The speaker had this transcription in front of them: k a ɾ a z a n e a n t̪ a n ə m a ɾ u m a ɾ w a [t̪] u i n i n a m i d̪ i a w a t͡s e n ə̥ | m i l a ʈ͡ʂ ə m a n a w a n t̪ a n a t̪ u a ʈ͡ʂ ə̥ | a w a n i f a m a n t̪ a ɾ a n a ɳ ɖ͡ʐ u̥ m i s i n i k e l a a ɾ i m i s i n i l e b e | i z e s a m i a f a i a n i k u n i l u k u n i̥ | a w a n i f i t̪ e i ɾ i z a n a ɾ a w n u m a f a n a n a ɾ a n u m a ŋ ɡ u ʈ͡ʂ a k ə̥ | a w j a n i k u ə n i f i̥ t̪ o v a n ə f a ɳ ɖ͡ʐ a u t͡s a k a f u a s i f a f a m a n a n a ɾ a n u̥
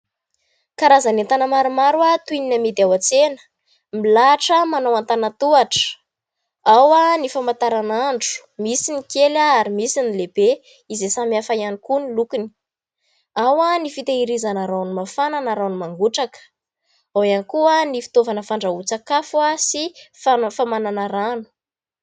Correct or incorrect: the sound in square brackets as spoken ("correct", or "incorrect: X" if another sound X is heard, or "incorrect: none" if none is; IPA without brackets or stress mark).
correct